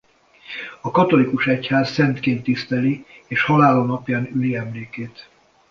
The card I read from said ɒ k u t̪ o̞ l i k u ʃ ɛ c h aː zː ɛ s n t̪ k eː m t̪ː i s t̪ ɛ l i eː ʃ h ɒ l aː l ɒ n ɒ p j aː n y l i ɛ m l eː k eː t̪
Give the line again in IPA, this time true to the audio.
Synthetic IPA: ɒ k ɒ t̪ o̞ l i k u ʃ ɛ c h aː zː ɛ n t̪ k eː n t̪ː i s t̪ ɛ l i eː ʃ h ɒ l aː l o n ɒ p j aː n y l i ɛ m l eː k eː t̪